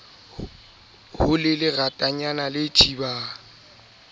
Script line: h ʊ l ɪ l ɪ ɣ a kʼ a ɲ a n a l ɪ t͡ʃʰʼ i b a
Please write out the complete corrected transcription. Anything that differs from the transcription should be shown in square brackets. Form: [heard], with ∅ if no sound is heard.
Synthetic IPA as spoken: h ʊ l ɪ l ɪ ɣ a [tʼ] a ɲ a n a l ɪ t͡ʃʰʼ i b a